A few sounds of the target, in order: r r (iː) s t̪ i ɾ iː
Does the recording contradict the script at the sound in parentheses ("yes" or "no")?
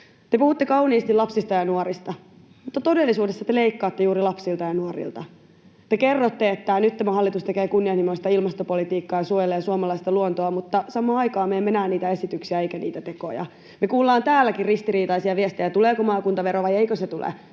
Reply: yes